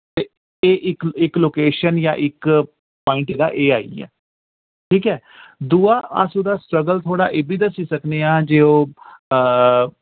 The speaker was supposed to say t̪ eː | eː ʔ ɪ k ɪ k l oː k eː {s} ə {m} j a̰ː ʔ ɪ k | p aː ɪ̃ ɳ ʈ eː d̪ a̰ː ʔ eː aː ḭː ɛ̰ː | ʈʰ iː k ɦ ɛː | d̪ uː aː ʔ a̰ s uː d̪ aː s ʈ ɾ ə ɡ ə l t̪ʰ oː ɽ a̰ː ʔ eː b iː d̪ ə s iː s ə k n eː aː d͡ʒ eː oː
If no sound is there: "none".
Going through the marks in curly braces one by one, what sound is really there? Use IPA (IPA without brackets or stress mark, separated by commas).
ʃ, n